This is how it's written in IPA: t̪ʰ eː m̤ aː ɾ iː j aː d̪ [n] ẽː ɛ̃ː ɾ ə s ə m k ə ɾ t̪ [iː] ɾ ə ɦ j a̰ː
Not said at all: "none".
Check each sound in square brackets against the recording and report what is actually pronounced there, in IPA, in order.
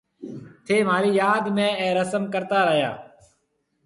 m, aː

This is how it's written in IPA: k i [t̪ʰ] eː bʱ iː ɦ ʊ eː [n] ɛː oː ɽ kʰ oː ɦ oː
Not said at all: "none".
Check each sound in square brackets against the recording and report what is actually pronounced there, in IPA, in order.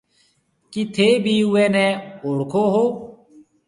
t̪ʰ, n

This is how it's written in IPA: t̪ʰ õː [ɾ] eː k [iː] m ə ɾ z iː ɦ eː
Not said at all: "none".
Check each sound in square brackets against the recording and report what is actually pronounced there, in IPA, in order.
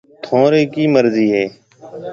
ɾ, iː

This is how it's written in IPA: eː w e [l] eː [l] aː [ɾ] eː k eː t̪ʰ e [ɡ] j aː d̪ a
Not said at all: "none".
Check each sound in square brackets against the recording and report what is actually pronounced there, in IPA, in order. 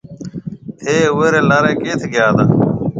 ɾ, l, ɾ, ɡ

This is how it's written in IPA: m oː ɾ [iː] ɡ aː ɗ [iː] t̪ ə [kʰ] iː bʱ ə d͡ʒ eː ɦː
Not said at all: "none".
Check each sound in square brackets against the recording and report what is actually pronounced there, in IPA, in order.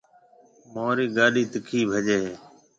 iː, iː, kʰ

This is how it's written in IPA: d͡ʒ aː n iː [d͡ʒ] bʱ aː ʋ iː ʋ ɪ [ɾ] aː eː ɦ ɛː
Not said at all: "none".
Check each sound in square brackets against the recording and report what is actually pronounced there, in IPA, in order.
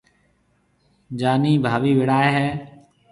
none, ɽ

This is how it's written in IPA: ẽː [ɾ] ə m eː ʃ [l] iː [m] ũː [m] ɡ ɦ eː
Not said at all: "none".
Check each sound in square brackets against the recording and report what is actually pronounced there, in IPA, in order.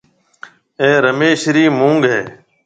ɾ, ɾ, m, ŋ

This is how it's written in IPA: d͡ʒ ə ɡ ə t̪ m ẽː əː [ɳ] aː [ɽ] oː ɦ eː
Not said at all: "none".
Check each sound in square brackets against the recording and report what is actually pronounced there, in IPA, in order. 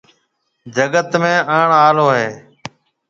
ɳ, l

